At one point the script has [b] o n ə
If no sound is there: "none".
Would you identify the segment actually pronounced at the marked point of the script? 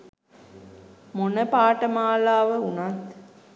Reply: m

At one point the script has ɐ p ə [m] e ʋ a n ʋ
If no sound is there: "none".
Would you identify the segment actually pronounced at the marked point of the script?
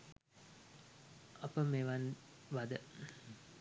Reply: m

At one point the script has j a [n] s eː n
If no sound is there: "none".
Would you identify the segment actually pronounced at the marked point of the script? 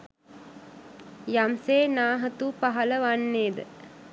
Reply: m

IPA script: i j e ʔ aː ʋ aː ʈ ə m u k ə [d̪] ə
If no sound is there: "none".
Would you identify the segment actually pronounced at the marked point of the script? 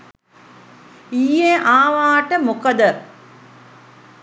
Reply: d̪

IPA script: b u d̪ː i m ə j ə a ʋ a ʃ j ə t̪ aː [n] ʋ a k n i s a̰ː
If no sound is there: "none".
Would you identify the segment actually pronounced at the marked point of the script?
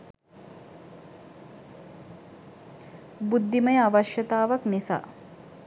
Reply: none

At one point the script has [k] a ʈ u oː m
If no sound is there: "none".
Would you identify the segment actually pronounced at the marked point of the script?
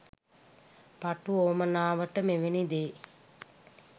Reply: p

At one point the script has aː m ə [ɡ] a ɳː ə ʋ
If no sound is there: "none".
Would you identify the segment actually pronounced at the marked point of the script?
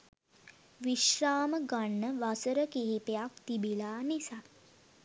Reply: ɡ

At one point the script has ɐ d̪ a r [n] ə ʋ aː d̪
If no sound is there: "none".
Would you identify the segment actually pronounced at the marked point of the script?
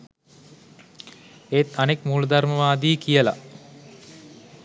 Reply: m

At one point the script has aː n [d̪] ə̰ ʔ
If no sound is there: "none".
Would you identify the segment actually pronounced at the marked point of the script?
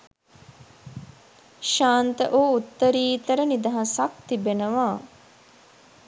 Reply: t̪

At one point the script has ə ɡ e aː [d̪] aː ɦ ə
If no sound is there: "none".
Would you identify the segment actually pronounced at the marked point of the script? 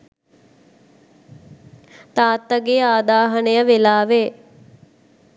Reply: d̪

